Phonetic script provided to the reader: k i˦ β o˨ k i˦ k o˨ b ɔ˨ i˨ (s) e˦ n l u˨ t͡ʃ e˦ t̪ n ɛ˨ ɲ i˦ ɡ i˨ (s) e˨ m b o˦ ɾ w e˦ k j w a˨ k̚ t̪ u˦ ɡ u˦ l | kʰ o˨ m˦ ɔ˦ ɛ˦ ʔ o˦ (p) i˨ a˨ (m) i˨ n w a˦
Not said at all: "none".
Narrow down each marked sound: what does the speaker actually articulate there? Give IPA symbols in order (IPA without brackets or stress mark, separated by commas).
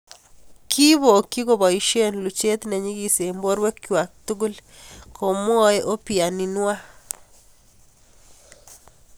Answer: ʃ, s, p, n